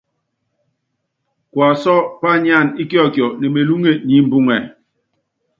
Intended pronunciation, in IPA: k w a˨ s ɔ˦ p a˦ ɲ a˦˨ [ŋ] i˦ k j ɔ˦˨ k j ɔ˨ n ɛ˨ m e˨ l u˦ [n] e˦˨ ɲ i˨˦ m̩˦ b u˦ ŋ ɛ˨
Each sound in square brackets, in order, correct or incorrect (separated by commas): incorrect, incorrect